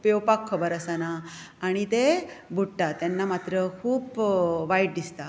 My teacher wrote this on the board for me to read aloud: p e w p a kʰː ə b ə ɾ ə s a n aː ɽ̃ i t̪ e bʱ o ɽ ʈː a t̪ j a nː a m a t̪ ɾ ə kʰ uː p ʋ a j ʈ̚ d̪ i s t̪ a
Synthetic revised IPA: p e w p a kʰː ə b ə ɾ ə s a n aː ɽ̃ i t̪ e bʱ u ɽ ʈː a t̪ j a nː a m a t̪ ɾ ə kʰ uː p ʋ a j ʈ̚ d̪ i s t̪ a